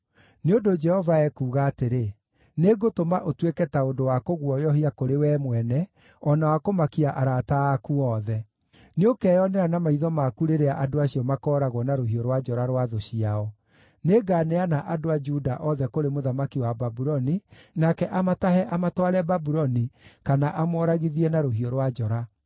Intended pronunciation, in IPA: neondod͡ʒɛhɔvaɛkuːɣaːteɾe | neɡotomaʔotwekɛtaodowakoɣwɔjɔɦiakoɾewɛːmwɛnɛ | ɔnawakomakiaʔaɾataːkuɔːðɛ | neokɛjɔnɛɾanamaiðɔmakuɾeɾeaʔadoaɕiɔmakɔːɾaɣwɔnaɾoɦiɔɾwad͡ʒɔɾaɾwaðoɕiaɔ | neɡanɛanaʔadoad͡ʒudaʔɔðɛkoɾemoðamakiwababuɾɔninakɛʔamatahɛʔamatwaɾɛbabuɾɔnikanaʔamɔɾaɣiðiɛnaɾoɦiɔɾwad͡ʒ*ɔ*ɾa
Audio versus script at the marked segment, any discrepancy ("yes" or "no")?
no